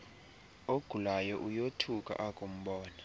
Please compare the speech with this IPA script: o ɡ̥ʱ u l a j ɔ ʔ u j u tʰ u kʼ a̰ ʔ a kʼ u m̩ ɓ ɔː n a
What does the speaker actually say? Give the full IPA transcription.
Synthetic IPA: o ɡ̥ʱ u l a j ɔ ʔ u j o tʰ u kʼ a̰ ʔ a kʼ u m̩ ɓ ɔː n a